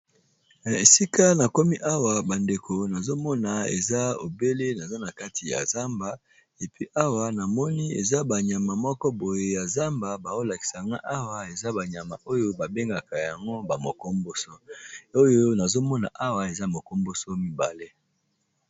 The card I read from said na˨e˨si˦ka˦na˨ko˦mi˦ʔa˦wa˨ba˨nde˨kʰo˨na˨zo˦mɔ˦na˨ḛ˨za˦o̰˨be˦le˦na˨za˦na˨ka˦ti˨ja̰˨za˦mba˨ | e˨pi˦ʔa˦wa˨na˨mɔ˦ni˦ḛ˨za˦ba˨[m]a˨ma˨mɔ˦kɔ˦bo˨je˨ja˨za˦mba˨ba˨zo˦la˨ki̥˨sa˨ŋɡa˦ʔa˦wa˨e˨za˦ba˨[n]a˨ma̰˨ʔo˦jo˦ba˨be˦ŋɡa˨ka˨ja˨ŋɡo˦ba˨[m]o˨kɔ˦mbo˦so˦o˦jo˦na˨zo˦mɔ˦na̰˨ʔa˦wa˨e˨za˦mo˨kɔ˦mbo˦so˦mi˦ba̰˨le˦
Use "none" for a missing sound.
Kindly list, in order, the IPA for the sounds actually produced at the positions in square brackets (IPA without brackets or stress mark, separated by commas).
ɲ, ɲ, m